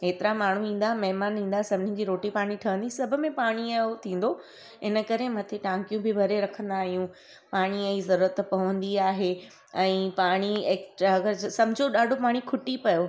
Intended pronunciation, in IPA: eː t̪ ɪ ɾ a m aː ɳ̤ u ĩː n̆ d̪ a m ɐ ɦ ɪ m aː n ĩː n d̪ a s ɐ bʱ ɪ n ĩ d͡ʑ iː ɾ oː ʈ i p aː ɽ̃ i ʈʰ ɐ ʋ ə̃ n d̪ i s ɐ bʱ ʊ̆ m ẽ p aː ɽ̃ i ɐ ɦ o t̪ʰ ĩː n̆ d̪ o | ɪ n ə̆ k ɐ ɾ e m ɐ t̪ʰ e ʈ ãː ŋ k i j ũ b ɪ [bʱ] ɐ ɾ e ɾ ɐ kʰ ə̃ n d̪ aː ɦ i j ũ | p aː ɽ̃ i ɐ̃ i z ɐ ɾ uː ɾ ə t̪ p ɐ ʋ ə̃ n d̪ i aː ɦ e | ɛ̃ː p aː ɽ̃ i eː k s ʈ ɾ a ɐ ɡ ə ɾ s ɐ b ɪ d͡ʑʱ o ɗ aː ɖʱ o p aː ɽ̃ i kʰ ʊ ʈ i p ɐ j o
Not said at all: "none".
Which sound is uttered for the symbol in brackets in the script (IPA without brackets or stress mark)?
bʱ